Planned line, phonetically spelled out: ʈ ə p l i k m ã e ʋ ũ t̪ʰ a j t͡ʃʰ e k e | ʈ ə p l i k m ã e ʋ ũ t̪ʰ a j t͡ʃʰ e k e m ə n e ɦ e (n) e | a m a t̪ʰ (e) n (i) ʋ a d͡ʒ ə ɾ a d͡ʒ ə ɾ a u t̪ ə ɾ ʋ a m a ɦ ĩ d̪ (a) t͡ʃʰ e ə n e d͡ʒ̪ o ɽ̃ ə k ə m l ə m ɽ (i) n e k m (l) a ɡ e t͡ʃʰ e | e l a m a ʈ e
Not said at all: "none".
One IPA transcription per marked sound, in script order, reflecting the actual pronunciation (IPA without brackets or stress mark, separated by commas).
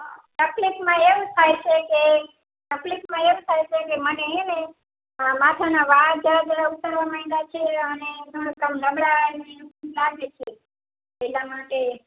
n, a, a, a, a, l